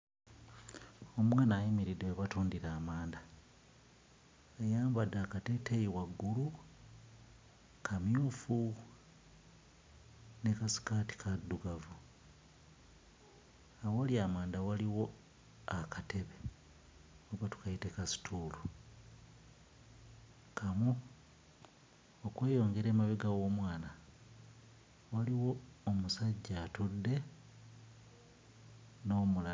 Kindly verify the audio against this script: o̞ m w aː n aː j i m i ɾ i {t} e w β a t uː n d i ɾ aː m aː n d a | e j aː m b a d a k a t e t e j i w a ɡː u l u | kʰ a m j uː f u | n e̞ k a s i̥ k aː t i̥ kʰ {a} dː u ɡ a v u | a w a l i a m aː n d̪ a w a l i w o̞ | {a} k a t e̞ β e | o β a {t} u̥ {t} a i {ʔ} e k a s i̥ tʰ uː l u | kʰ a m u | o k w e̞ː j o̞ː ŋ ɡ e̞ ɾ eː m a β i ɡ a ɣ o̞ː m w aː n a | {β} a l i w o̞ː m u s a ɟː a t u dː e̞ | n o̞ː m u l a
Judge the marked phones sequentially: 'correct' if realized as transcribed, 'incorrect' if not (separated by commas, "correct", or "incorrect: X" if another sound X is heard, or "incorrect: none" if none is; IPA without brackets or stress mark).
incorrect: d, correct, correct, correct, incorrect: k, incorrect: t, incorrect: w